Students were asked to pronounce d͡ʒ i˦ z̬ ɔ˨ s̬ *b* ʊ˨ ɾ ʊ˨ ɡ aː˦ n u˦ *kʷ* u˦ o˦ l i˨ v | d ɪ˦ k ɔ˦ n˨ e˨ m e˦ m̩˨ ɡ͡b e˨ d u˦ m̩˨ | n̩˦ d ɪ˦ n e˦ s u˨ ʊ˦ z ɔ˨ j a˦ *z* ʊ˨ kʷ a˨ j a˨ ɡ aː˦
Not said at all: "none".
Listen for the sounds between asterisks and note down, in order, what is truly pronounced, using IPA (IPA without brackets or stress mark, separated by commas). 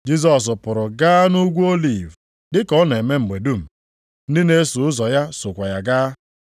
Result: p, ɡʷ, s